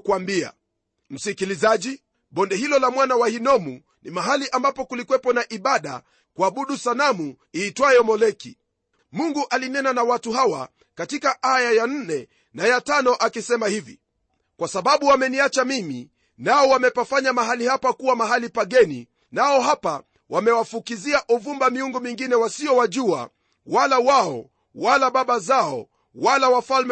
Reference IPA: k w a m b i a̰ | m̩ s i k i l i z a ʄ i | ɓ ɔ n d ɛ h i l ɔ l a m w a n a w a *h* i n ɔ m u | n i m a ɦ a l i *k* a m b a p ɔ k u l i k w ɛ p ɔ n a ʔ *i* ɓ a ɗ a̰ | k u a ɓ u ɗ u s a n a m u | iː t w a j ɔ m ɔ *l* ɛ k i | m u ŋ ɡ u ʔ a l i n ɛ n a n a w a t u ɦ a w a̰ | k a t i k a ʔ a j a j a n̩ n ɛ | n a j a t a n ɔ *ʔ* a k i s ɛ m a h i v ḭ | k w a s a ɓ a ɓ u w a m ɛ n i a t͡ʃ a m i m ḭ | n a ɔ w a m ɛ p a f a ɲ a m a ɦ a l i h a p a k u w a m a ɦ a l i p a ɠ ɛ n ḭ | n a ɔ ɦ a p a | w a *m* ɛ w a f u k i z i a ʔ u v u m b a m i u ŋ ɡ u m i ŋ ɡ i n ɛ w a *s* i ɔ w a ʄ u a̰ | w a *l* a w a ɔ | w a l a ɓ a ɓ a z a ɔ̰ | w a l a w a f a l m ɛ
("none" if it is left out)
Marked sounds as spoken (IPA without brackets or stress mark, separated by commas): h, ʔ, i, l, ʔ, m, s, l